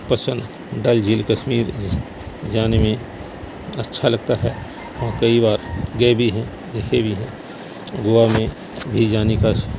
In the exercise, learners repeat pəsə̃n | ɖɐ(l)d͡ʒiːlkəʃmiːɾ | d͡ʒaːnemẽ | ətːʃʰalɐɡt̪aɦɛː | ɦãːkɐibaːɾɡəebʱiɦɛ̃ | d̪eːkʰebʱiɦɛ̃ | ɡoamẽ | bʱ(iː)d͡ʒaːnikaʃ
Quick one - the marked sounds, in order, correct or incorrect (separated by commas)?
correct, incorrect